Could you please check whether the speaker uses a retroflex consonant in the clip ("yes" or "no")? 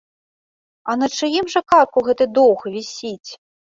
yes